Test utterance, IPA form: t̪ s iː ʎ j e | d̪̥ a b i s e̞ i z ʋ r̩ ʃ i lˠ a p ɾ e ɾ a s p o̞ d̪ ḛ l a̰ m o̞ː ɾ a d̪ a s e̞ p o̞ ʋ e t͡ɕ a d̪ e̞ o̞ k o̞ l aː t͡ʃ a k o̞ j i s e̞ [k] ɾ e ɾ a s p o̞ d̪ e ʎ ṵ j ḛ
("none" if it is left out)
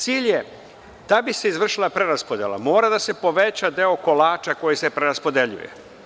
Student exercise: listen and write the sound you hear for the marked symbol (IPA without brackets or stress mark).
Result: p